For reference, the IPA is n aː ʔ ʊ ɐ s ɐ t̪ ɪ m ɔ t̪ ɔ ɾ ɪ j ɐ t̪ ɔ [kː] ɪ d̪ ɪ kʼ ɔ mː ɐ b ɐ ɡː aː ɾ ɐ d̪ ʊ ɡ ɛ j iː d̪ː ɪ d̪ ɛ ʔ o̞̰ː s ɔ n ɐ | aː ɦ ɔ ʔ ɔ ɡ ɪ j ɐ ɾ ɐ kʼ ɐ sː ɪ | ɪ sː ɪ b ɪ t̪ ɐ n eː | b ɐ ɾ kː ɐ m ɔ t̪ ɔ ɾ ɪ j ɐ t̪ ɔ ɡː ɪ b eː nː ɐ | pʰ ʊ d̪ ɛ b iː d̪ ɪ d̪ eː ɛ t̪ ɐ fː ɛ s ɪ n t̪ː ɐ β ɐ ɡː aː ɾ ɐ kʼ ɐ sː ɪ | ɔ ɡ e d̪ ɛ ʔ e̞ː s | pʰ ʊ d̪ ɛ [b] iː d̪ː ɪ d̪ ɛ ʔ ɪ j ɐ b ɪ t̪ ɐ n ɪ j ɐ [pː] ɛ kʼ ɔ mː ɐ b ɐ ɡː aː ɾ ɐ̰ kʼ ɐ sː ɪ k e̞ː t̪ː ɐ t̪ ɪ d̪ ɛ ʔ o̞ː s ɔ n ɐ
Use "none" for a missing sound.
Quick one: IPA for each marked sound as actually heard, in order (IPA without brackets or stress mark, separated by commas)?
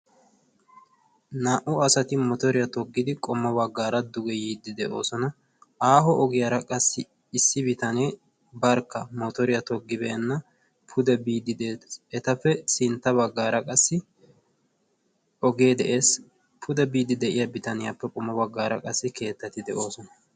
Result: ɡː, b, pː